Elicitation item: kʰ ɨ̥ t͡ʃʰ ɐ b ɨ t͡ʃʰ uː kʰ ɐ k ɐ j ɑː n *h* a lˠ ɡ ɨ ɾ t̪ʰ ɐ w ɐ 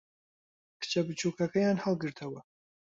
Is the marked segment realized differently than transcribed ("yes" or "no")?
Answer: no